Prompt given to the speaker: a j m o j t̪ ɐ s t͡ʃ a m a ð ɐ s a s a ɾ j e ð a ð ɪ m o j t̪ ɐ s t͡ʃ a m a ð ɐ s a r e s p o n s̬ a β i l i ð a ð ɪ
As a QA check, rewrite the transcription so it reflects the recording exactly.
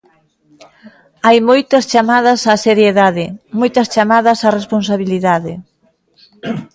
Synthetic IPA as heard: a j m o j t̪ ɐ s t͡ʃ a m a ð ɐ s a s e ɾ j e ð a ð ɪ m o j t̪ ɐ s t͡ʃ a m a ð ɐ s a r e s p o n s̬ a β i l i ð a ð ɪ